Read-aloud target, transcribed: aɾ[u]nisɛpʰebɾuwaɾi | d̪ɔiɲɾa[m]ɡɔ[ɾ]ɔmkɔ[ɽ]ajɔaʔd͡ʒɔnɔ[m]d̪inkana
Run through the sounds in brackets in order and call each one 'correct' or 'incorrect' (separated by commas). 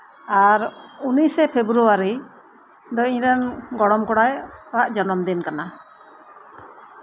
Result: correct, incorrect, incorrect, correct, correct